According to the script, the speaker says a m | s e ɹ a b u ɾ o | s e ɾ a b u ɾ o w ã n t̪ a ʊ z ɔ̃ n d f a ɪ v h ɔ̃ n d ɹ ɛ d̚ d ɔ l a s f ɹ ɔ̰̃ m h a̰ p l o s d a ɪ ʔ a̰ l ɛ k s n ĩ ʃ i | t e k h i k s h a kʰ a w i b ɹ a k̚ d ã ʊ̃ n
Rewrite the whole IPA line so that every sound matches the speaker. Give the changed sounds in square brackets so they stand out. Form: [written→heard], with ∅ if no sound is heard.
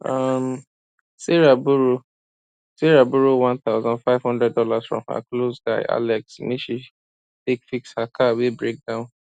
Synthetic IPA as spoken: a m | s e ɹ a b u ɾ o | s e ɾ a b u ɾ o w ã n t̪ a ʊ z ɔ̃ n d f a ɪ v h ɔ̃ n d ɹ ɛ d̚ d ɔ l a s f ɹ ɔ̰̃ m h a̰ [p→k] l o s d a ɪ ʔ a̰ l ɛ k s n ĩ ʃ i | t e k [h→f] i k s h a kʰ a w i b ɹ [a→e] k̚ d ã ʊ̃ n